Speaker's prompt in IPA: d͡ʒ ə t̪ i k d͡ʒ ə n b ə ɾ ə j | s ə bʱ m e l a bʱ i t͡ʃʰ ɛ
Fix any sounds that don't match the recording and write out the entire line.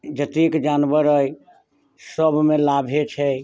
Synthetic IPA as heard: d͡ʒ ə t̪ i k d͡ʒ a n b ə ɾ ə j | s ə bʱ m e l a bʱ e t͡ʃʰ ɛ